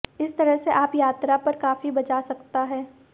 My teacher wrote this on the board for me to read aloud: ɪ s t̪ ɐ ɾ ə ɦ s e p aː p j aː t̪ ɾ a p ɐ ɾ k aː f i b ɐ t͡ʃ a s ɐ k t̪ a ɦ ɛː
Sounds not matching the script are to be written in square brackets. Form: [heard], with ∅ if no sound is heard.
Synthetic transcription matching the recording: ɪ s t̪ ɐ ɾ ə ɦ s e [ʔ] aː p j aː t̪ ɾ a p ɐ ɾ k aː f i b ɐ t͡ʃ a s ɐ k t̪ a ɦ ɛː